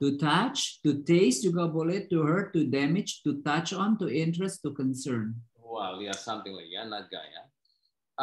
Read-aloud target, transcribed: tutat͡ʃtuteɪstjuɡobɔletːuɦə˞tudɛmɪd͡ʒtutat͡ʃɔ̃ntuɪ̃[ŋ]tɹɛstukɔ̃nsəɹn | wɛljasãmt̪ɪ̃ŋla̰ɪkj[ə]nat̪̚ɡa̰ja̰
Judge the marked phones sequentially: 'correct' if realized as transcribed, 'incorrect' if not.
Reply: incorrect: n, incorrect: a

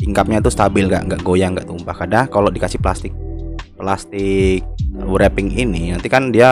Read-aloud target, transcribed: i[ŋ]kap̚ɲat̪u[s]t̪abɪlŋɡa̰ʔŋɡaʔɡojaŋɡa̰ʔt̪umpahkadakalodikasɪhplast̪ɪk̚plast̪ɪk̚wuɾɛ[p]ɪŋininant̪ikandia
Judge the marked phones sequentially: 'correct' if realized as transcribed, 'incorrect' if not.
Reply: correct, correct, correct

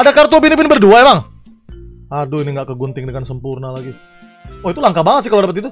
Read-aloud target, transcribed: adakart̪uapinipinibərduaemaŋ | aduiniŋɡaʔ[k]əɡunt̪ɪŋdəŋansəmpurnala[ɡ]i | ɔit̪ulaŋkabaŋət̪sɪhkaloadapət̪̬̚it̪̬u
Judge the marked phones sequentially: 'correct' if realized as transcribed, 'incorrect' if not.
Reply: correct, correct

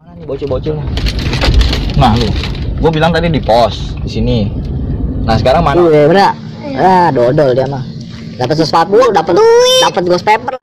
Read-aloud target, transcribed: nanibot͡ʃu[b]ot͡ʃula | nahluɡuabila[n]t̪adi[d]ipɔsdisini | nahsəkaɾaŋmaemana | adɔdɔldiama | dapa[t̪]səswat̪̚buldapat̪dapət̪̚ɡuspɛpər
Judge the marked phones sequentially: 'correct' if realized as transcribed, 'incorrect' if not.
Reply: correct, incorrect: ŋ, correct, correct

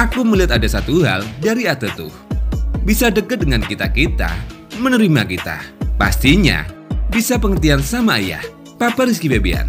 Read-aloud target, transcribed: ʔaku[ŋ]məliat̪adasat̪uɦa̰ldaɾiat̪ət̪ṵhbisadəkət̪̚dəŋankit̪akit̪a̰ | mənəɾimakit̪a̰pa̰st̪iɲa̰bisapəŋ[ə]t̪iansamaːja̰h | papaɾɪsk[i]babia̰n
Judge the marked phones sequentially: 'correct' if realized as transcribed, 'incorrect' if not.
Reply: incorrect: none, correct, correct

